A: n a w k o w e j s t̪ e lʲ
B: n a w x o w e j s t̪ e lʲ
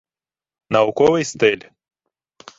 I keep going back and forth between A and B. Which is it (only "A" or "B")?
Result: A